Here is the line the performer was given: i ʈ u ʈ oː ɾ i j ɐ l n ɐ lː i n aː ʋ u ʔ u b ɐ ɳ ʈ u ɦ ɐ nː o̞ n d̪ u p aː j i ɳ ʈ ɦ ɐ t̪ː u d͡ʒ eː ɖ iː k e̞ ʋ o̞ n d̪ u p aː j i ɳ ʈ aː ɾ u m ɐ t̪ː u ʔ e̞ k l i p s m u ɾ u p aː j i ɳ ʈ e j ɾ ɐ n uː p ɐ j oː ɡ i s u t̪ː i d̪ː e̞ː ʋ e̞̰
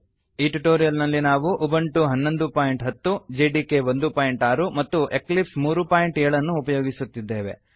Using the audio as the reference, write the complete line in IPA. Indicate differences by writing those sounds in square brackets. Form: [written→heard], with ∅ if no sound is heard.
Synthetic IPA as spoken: i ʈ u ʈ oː ɾ i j ɐ l n ɐ lː i n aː ʋ u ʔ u b ɐ ɳ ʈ u ɦ ɐ nː o̞ n d̪ u p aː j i ɳ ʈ ɦ ɐ t̪ː u d͡ʒ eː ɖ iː k e̞ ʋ o̞ n d̪ u p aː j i ɳ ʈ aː ɾ u m ɐ t̪ː u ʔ e̞ k l i p s m [u→uː] ɾ u p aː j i ɳ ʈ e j [ɾ→ɭ] ɐ [n→nː] uː p ɐ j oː ɡ i s u t̪ː i d̪ː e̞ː ʋ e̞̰